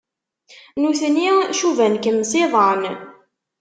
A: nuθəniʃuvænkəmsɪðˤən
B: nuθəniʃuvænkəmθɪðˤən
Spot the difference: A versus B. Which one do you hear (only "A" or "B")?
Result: A